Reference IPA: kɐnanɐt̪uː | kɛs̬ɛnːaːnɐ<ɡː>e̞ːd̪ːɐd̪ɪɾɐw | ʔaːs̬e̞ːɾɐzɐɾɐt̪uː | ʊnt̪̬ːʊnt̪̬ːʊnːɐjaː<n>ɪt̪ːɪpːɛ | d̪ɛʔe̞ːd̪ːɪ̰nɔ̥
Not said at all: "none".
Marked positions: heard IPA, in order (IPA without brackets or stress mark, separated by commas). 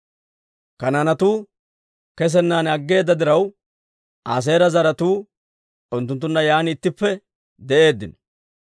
ɡː, n